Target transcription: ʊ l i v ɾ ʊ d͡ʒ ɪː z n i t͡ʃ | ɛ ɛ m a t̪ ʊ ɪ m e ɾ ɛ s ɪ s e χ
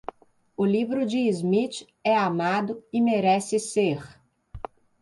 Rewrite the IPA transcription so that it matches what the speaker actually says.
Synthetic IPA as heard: ʊ l i v ɾ ʊ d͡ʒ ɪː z m i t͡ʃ | ɛ a m a d̪ ʊ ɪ m e ɾ ɛ s ɪ s e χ